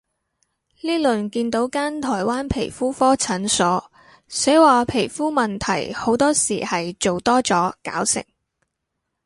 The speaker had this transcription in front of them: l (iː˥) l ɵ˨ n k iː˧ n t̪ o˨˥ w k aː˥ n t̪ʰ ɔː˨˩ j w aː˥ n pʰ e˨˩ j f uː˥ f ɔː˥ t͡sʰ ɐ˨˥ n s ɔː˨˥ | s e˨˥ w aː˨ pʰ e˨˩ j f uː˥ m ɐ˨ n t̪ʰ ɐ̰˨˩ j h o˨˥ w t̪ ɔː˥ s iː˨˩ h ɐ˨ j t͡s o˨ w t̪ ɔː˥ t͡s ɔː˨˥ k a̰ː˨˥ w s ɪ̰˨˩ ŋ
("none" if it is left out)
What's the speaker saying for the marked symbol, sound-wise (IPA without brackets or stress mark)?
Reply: iː˥